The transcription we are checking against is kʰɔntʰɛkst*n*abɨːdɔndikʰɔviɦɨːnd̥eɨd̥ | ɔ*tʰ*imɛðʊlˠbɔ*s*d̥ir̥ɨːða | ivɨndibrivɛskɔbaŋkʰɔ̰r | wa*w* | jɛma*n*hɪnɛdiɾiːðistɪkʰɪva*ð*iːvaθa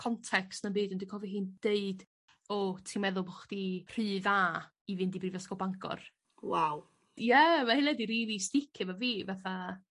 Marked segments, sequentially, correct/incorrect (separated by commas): correct, correct, incorrect, correct, incorrect, incorrect